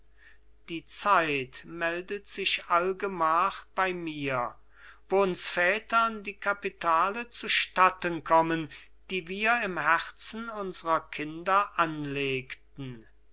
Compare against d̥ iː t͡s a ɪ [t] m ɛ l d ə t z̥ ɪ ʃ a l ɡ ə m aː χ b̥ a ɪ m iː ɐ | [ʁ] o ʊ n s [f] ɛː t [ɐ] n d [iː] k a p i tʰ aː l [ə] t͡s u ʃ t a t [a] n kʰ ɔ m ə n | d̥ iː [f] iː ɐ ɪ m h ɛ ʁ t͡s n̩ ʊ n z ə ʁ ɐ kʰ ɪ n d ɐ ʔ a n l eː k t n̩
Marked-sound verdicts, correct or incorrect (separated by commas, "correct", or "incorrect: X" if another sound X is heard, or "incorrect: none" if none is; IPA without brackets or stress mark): correct, incorrect: v, correct, correct, correct, correct, incorrect: ə, incorrect: v